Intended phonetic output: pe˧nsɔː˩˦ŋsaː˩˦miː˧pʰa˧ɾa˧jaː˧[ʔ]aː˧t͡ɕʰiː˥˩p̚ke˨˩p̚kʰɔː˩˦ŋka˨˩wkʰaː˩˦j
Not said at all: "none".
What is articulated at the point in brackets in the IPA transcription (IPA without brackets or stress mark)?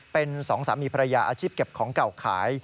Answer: ʔ